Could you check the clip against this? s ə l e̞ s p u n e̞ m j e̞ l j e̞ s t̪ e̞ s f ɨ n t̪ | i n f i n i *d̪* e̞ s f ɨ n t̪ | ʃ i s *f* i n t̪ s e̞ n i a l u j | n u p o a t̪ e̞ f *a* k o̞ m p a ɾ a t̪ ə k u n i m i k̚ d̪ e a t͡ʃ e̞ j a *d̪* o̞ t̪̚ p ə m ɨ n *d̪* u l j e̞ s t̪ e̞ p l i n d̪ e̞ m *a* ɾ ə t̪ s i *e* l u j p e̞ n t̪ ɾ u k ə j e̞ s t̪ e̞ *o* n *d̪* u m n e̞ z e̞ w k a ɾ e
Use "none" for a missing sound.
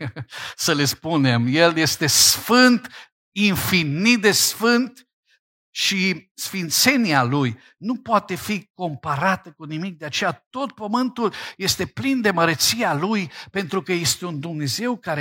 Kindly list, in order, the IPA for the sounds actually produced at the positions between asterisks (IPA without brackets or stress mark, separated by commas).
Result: d̪, f, i, t̪, t̪, ə, a, u, d̪